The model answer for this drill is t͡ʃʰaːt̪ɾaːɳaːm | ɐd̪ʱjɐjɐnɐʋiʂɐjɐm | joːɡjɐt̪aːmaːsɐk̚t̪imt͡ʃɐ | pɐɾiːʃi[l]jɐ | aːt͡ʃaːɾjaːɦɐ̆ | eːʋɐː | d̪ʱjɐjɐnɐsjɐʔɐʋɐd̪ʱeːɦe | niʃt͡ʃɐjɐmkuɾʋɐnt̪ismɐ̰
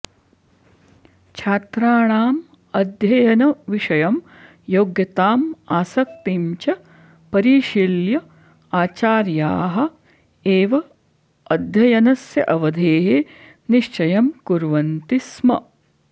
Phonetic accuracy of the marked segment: correct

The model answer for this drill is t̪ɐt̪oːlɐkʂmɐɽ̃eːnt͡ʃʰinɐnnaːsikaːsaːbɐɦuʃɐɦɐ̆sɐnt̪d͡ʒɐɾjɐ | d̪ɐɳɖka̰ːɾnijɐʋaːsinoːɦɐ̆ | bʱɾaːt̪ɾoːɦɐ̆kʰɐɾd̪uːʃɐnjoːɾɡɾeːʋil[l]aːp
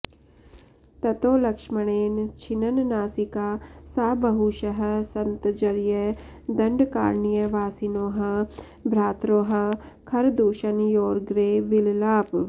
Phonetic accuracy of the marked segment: correct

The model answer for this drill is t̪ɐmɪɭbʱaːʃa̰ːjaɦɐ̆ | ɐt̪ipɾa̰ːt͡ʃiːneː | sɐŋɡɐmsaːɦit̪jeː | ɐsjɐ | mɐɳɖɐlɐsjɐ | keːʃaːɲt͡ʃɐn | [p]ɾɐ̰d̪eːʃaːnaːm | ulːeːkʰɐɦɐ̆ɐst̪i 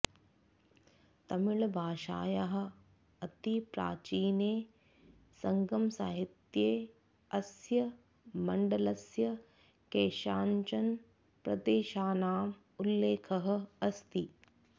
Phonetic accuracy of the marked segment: correct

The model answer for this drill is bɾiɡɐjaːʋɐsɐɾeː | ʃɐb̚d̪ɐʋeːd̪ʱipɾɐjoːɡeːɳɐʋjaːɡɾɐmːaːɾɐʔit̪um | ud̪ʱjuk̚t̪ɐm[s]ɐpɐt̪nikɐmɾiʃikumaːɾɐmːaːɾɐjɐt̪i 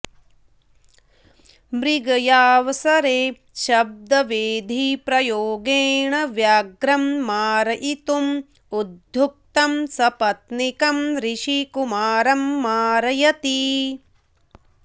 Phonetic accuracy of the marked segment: correct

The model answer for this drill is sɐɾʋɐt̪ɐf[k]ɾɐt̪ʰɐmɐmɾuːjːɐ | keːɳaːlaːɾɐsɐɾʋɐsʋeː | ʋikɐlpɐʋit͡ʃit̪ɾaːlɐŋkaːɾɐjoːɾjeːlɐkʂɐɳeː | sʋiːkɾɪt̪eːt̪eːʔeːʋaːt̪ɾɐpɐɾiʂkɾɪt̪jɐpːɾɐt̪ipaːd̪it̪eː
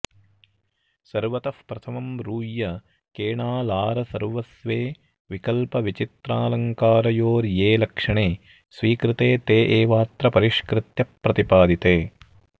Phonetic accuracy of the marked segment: incorrect: p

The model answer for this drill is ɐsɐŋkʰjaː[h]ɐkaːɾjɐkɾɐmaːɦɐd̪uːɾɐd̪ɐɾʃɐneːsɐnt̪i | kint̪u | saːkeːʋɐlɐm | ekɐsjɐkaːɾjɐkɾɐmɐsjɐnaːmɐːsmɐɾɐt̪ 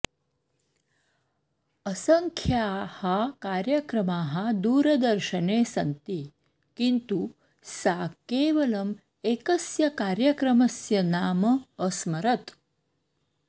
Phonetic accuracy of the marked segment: correct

